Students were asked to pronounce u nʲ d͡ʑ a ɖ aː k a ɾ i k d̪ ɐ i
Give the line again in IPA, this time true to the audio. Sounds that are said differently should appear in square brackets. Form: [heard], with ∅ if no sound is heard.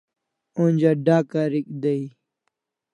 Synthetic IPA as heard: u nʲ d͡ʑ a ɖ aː k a ɾ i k d̪ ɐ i